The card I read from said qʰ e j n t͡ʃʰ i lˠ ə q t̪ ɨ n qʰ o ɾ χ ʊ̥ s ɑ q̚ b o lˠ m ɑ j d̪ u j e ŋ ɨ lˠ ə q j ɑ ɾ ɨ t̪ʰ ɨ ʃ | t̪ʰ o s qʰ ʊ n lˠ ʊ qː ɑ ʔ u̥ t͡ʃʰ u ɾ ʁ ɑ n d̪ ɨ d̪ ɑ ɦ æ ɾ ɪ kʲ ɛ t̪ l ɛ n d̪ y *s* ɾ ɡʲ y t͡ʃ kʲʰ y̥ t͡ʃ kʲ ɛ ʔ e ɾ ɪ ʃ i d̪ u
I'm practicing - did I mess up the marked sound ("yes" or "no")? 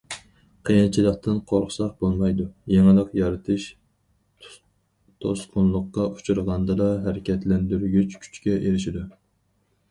yes